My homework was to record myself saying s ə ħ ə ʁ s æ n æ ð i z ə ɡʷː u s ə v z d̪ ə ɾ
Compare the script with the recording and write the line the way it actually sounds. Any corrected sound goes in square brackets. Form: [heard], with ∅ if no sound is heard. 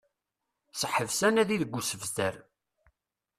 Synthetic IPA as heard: s ə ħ ə [v] s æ n æ ð i [ð] ə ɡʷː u s ə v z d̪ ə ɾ